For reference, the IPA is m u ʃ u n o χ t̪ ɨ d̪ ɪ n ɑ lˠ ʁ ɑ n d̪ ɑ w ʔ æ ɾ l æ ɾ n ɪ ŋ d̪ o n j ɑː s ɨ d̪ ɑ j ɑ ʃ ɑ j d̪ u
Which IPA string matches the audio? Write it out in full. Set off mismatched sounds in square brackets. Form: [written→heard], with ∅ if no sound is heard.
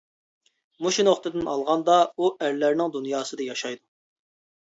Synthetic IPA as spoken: m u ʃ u n o χ t̪ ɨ d̪ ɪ n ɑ lˠ ʁ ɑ n d̪ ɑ [w→u] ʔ æ ɾ l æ ɾ n ɪ ŋ d̪ [o→u] n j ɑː s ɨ d̪ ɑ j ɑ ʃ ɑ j d̪ u